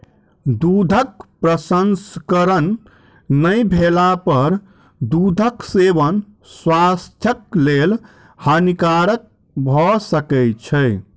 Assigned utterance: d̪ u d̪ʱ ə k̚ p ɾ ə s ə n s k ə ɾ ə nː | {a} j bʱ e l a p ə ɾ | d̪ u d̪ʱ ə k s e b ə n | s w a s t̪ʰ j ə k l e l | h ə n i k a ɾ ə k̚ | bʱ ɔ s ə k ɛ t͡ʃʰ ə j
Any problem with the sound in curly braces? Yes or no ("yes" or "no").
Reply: yes